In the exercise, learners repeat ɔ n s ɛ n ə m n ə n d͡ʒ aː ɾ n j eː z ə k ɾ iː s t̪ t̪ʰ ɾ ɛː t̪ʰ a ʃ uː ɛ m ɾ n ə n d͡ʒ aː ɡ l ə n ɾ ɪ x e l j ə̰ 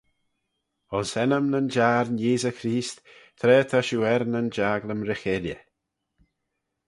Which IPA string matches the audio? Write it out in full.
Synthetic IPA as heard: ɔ n s ɛ n ə m n ə n d͡ʒ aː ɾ n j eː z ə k ɾ iː s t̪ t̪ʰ ɾ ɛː t̪ʰ a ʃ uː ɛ ɾ n ə n d͡ʒ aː ɡ l ə m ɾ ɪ x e l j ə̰